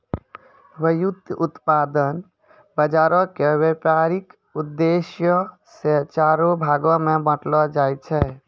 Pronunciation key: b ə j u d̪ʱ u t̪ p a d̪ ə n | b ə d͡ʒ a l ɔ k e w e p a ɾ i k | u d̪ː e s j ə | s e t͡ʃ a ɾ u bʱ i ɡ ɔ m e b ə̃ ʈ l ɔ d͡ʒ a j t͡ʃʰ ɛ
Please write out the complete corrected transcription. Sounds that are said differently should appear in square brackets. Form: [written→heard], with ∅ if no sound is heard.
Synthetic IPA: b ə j u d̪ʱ u t̪ p a d̪ ə n | b ə d͡ʒ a [l→ɾ] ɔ k e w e p a ɾ i k | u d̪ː e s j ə | s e t͡ʃ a ɾ [u→o] bʱ [i→a] ɡ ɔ m e b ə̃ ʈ l ɔ d͡ʒ a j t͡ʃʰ ɛ